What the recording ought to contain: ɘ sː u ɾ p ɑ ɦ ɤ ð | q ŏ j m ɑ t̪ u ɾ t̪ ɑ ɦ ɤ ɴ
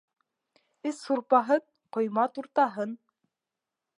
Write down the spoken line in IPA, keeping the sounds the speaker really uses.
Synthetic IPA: ɘ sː u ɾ p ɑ ɦ ɤ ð | q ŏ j m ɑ t̪ u ɾ t̪ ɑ ɦ ɤ n